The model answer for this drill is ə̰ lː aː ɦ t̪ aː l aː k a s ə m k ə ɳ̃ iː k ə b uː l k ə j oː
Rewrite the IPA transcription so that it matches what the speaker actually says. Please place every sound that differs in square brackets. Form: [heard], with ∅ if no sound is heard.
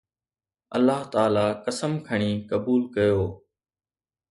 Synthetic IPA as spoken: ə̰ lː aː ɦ t̪ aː l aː k [ə] s ə m [kʰ] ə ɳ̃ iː k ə b uː l k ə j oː